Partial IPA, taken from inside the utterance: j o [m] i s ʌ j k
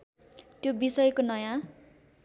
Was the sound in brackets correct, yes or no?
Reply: no